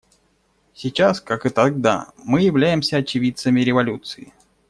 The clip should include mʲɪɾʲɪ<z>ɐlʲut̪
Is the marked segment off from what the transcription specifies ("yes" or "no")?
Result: yes